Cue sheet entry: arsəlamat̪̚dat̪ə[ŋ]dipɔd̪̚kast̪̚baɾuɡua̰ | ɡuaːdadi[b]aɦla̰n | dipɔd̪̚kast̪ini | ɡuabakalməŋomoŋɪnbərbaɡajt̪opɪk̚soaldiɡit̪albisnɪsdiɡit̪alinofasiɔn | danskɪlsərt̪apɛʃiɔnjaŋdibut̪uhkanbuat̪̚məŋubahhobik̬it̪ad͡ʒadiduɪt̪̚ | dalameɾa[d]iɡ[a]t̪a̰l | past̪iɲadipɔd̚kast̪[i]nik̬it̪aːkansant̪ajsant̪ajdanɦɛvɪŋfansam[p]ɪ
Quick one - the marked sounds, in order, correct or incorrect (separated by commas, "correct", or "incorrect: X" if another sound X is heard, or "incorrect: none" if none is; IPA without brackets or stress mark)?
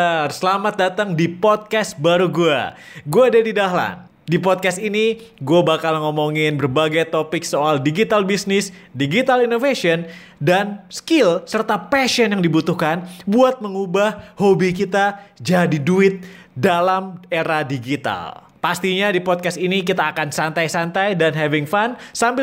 correct, incorrect: d, correct, incorrect: i, correct, incorrect: b